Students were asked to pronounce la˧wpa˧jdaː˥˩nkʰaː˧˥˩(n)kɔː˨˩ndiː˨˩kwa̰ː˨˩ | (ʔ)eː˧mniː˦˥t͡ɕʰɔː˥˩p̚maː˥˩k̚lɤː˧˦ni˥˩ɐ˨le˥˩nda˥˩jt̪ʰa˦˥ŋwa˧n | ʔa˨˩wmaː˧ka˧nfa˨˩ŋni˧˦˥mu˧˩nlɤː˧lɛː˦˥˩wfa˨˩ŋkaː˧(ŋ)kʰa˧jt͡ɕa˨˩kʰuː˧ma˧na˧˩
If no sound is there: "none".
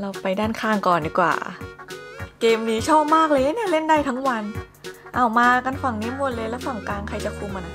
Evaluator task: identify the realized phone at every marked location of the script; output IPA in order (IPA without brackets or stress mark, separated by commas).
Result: ŋ, k, ŋ